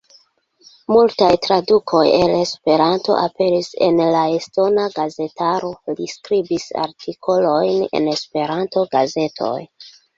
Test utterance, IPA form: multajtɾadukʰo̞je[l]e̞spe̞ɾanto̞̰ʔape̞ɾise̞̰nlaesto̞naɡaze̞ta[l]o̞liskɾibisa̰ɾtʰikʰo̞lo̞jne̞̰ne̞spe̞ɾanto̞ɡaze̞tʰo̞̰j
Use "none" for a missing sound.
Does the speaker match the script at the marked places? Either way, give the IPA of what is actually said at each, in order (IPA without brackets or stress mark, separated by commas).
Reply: l, ɾ